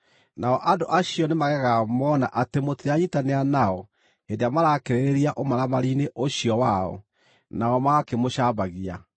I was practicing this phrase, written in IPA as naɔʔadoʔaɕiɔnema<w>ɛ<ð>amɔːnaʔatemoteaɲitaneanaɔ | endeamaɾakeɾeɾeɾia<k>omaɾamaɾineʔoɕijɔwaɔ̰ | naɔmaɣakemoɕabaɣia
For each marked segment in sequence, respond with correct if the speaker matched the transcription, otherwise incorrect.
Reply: incorrect: ɣ, incorrect: ɣ, incorrect: ʔ

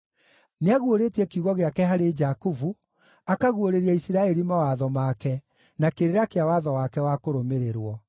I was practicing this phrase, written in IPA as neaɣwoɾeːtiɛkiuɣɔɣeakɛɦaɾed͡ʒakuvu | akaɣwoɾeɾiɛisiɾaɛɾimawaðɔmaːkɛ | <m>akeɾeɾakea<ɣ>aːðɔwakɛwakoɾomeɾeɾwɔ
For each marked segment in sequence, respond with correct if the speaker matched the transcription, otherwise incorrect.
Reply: incorrect: n, incorrect: w

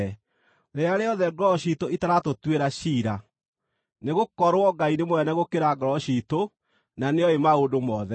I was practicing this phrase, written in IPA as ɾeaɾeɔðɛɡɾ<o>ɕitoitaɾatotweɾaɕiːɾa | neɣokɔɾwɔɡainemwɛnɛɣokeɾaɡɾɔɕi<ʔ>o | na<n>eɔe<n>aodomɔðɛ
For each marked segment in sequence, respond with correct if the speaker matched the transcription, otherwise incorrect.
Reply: incorrect: ɔ, incorrect: t, correct, incorrect: m

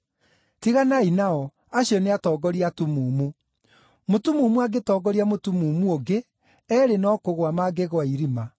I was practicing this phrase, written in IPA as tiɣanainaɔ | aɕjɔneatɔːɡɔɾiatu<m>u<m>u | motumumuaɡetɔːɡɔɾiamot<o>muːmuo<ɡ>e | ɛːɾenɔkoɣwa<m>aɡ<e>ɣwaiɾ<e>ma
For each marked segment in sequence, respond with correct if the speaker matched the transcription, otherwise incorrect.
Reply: correct, correct, incorrect: u, correct, correct, correct, incorrect: i

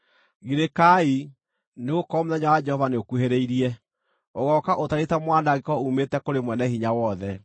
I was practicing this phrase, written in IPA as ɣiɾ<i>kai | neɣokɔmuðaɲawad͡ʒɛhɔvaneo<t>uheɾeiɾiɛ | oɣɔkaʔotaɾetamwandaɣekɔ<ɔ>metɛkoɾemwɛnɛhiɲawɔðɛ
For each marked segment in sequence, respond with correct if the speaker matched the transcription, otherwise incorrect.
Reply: incorrect: e, incorrect: k, incorrect: u

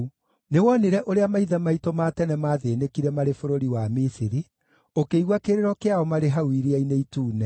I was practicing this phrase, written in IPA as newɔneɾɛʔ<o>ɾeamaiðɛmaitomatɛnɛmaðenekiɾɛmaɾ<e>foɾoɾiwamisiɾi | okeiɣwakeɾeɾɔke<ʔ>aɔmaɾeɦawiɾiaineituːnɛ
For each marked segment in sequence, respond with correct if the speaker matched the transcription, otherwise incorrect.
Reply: correct, correct, incorrect: none

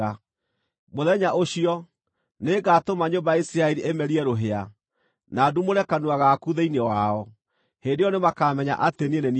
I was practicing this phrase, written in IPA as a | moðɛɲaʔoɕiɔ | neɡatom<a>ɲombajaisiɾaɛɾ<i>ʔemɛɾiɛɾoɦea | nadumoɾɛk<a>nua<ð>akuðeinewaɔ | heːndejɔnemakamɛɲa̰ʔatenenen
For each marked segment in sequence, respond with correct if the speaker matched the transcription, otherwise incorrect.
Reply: correct, correct, correct, incorrect: ɣ

